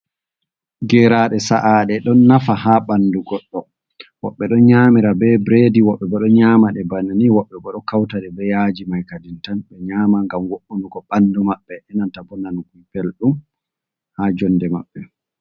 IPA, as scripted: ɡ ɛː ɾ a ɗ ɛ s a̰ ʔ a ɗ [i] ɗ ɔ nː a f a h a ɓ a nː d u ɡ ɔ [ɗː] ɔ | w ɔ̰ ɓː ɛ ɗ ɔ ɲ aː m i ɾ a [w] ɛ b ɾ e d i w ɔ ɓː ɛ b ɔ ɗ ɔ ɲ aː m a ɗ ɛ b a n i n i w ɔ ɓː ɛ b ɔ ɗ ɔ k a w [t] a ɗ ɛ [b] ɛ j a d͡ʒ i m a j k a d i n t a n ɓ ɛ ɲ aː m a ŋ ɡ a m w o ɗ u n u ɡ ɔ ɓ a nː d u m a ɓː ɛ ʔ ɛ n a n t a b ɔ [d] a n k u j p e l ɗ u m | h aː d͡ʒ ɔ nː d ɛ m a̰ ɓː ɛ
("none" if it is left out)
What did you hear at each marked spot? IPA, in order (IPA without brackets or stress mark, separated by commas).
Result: ɛ, ɗː, b, t, b, n